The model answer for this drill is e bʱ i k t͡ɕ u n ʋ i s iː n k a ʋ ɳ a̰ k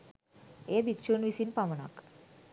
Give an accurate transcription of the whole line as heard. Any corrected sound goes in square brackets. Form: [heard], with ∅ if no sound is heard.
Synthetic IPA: e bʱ i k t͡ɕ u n ʋ i s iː n [p] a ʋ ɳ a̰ k